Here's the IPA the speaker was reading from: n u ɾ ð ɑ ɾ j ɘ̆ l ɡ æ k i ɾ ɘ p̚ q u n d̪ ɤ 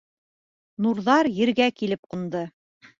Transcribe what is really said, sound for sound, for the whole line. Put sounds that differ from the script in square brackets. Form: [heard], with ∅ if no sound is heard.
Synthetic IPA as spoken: n u ɾ ð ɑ ɾ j ɘ̆ [ɾ] ɡ æ k i [l] ɘ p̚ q u n d̪ ɤ